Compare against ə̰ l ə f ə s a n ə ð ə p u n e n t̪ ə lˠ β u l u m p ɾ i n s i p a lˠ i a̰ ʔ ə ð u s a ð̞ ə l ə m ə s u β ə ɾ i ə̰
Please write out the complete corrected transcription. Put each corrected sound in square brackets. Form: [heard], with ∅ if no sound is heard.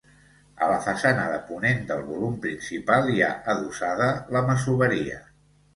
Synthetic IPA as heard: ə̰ l ə f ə s a n ə ð ə p u n e n [d̪] ə lˠ β u l u m p ɾ i n s i p a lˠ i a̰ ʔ ə ð u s a ð̞ ə l ə m ə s u β ə ɾ i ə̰